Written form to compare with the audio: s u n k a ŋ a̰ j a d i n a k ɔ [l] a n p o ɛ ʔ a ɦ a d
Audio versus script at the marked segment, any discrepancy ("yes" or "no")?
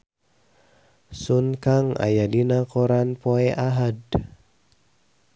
yes